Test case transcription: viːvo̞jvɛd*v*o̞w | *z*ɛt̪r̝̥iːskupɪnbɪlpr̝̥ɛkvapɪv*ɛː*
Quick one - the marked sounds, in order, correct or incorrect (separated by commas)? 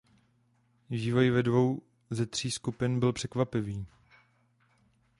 correct, correct, incorrect